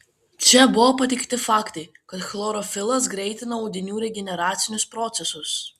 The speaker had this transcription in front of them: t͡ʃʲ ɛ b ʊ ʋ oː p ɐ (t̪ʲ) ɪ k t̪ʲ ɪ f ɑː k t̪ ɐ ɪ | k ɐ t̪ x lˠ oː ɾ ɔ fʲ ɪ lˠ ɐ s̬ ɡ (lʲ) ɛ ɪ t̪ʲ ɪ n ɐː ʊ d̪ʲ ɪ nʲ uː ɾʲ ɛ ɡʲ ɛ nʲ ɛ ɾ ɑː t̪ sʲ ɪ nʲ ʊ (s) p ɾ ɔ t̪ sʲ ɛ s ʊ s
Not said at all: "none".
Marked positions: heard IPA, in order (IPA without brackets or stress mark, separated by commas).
t̪ʲ, ɾʲ, s